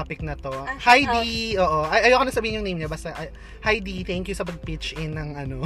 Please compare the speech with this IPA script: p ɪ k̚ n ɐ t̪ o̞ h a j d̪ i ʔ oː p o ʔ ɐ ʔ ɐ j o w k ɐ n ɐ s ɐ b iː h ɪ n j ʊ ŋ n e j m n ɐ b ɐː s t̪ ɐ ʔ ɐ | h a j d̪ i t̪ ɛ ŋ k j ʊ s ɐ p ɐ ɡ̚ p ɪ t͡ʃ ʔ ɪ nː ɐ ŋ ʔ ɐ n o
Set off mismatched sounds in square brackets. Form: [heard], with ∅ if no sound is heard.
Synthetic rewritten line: p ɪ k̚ n ɐ t̪ o̞ h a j d̪ i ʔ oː [ʔ] o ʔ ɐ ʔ ɐ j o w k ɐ n ɐ s ɐ b iː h ɪ n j ʊ ŋ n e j m [ɲ] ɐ b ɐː s t̪ ɐ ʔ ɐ | h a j d̪ i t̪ ɛ ŋ k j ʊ s ɐ p ɐ ɡ̚ p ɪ t͡ʃ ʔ ɪ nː ɐ ŋ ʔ ɐ n o